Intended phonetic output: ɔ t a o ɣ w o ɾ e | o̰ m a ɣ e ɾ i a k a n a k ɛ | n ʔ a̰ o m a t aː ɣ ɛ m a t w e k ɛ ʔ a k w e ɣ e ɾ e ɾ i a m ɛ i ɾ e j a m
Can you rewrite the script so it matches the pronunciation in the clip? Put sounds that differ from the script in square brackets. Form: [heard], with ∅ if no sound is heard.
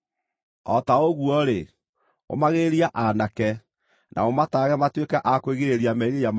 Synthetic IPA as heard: ɔ t a o ɣ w [ɔ] ɾ e | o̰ m a ɣ e ɾ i a [ʔ] a n a k ɛ | n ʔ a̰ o m a t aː ɣ ɛ m a t w e k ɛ ʔ a k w e ɣ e ɾ e ɾ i a m ɛ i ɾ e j a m